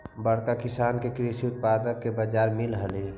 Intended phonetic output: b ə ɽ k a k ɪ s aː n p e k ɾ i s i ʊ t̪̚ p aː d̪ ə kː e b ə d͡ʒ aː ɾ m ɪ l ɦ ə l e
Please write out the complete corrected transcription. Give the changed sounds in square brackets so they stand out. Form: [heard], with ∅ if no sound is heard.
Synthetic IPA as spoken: b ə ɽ k a k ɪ s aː n [k] e k ɾ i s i ʊ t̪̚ p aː d̪ ə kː e b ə d͡ʒ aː ɾ m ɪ l ɦ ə l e